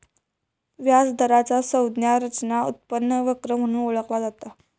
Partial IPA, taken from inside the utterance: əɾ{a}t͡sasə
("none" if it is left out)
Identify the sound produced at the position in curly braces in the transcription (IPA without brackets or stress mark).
a